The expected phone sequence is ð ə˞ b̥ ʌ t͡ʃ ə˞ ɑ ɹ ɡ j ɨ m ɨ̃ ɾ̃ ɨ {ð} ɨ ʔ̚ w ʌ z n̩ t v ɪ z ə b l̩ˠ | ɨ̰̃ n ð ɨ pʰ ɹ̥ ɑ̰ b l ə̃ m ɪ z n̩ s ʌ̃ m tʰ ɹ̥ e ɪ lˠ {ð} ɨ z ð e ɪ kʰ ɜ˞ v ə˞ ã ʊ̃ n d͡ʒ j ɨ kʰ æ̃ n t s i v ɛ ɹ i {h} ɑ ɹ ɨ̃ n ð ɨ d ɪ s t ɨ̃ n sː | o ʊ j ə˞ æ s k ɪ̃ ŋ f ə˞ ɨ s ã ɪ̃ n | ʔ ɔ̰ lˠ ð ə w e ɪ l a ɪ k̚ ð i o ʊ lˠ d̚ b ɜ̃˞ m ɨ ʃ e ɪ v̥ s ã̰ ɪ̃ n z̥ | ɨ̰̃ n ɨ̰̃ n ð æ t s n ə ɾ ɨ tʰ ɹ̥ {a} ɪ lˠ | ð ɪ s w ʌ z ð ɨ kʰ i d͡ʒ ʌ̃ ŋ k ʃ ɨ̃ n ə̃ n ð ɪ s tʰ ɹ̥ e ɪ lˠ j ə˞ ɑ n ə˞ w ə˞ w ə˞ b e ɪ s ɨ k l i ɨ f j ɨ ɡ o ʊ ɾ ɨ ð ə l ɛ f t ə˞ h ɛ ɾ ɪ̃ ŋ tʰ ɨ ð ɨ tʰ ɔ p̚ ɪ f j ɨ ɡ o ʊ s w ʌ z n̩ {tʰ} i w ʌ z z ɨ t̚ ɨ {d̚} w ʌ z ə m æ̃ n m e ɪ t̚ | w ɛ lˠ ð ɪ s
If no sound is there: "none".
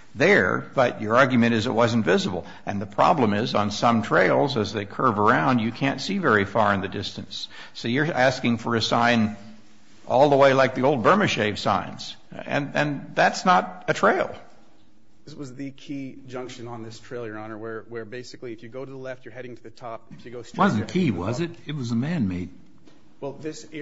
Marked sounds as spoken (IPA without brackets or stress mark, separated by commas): z, z, f, e, kʰ, t̚